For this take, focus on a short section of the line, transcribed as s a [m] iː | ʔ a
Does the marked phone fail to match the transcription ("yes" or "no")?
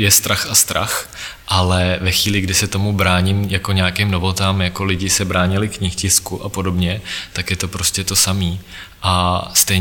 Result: no